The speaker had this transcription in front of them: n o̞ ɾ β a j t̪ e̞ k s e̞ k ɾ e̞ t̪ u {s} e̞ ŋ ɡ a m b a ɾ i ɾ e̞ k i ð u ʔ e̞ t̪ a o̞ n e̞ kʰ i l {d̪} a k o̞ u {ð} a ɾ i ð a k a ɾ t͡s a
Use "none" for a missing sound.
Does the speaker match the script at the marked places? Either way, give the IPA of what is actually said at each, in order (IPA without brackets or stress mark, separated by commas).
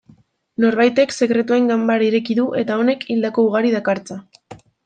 none, d̪, ɣ